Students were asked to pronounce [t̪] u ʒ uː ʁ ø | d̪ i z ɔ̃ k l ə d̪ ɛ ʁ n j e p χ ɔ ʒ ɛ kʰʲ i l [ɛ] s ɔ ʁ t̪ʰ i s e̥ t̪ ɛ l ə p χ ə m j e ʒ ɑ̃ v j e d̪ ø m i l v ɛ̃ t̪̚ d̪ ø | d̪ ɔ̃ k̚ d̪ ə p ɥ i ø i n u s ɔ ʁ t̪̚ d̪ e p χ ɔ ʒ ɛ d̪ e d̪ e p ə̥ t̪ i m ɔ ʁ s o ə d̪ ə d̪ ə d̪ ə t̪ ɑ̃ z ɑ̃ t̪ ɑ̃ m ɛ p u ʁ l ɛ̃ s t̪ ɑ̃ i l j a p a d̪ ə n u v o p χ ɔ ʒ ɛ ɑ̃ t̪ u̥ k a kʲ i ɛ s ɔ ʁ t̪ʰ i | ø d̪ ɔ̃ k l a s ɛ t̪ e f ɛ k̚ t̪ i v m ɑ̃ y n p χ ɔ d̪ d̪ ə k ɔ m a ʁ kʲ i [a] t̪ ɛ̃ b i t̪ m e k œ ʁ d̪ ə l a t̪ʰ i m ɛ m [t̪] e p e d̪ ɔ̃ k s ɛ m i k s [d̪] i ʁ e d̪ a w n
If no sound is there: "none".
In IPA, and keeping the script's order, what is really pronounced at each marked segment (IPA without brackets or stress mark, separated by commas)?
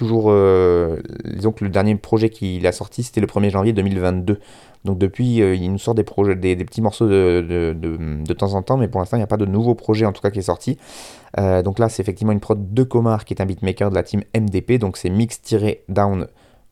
t̪, a, ɛ, d̪, t̪